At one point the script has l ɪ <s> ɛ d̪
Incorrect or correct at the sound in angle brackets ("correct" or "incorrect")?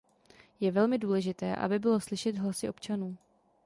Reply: incorrect